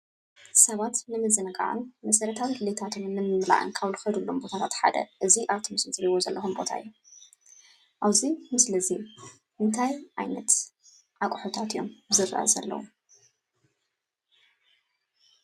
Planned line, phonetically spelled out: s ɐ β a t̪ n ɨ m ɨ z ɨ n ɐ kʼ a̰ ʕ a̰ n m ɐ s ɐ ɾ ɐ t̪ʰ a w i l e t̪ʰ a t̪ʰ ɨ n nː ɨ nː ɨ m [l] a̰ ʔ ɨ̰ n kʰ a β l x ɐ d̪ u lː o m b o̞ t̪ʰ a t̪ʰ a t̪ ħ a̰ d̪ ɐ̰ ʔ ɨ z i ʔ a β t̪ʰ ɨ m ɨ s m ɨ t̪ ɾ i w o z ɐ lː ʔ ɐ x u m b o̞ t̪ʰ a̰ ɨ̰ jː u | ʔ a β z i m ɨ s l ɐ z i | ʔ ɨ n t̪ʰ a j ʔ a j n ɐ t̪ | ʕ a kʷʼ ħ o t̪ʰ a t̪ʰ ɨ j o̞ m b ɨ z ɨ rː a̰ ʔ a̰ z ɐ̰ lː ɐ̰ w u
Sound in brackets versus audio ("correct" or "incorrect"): correct